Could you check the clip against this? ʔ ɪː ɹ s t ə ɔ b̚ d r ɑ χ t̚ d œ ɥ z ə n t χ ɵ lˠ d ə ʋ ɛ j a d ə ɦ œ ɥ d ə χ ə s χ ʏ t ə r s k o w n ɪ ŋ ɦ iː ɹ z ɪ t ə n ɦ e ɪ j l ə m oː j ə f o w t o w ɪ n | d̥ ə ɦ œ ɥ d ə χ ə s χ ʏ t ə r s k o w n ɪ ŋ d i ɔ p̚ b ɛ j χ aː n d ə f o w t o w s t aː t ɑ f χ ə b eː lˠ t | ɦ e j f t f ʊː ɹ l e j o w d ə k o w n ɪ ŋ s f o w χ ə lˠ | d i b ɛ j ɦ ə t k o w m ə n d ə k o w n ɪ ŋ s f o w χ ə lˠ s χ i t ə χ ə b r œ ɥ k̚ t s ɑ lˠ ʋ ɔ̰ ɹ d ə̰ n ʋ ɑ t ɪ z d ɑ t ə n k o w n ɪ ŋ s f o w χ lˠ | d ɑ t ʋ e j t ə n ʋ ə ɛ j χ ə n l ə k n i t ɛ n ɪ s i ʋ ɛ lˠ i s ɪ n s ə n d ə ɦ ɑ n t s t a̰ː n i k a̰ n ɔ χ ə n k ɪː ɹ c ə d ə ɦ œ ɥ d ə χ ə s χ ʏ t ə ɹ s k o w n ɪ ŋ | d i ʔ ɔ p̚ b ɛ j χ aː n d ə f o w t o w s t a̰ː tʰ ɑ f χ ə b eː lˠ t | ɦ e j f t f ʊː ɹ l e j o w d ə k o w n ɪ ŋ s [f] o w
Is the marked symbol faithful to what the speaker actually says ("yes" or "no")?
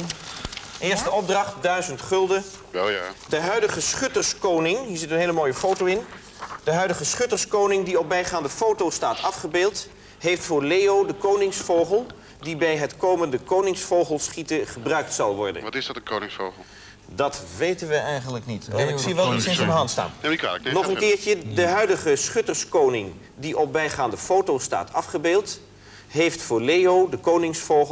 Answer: yes